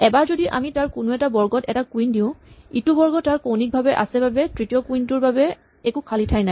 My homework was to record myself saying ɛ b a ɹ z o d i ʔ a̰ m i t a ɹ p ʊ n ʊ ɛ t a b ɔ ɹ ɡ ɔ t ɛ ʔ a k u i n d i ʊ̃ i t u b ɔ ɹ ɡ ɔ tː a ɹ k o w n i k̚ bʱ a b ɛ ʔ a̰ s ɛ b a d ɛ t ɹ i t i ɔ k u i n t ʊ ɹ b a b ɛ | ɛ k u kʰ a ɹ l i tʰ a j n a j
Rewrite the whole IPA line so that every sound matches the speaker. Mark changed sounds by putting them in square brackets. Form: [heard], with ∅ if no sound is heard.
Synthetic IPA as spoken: ɛ b a ɹ z o d i ʔ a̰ m i t a ɹ [k] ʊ n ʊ ɛ t a b ɔ ɹ ɡ ɔ t ɛ [t] a k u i n d i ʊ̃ i t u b ɔ ɹ ɡ ɔ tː a ɹ k o w n i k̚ bʱ a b ɛ ʔ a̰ s ɛ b a [b] ɛ t ɹ i t i ɔ k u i n t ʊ ɹ b a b ɛ | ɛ k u kʰ a [∅] l i tʰ a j n a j